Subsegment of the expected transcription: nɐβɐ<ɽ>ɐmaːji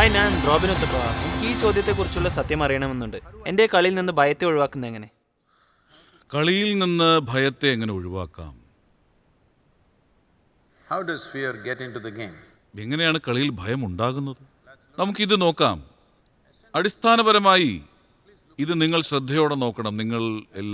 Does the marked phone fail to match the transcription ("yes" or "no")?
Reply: yes